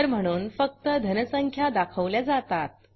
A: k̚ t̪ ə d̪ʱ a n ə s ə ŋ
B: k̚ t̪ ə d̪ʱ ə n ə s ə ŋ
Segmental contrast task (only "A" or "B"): B